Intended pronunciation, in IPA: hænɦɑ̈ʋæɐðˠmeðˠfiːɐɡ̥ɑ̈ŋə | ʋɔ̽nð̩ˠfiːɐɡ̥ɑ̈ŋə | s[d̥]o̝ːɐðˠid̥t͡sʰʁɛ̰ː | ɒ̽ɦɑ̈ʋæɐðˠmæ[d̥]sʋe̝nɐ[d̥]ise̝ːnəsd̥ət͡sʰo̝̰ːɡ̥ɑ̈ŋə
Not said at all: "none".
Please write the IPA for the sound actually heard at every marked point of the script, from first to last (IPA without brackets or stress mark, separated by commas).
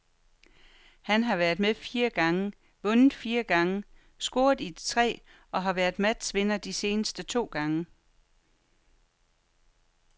ɡ̥, d̥, d̥